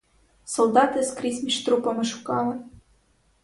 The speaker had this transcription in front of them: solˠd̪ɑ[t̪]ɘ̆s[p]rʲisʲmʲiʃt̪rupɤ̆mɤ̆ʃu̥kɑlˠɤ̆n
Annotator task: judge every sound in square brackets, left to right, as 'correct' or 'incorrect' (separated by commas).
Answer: correct, incorrect